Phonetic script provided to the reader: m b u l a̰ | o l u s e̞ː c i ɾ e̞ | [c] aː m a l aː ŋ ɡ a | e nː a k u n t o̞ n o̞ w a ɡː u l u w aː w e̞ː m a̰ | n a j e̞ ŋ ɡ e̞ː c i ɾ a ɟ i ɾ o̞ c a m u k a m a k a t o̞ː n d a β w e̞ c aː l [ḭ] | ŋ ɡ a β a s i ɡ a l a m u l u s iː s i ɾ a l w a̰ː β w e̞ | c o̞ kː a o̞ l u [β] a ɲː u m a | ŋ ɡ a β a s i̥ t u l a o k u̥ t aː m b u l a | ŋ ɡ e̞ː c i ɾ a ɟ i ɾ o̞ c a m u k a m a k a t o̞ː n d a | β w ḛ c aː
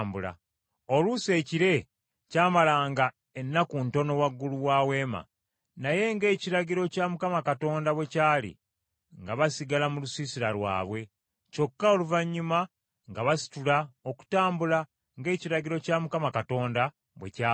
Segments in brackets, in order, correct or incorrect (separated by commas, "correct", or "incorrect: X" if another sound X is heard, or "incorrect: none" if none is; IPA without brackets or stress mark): correct, correct, incorrect: v